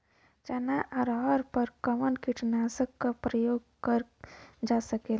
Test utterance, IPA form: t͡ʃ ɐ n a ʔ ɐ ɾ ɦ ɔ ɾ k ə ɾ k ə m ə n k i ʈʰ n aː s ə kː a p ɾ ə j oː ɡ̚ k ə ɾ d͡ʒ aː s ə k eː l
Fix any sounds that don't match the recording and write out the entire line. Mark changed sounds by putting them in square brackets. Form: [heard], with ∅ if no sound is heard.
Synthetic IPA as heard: t͡ʃ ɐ n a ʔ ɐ ɾ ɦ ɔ ɾ [p] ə ɾ k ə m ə n k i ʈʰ n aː s ə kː a p ɾ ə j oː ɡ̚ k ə ɾ d͡ʒ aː s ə k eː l